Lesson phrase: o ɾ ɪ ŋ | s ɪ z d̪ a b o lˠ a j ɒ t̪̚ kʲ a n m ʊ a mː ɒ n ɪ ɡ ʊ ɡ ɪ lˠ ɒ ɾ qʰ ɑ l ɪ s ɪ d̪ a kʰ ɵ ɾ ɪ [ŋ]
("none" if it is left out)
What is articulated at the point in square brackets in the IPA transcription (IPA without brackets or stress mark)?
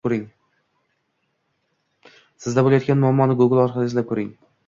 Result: ŋ